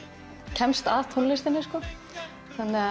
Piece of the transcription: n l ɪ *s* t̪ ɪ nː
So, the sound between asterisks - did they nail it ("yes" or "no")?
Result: yes